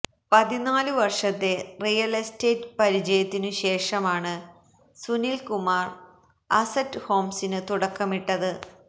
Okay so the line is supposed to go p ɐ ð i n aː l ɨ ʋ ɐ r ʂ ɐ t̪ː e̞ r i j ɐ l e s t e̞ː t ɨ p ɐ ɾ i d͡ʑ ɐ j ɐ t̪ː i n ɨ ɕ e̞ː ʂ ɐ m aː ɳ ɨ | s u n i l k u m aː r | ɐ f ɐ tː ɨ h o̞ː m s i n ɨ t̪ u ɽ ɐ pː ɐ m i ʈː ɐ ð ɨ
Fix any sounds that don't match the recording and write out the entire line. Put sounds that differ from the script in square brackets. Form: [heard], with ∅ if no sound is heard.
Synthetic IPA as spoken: p ɐ ð i n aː l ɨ ʋ ɐ r ʂ ɐ t̪ː e̞ r i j ɐ l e s t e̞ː t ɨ p ɐ ɾ i d͡ʑ ɐ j ɐ t̪ː i n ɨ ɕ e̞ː ʂ ɐ m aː ɳ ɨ | s u n i l k u m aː r | ɐ [s] ɐ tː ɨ h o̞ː m s i n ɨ t̪ u ɽ ɐ [kː] ɐ m i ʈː ɐ ð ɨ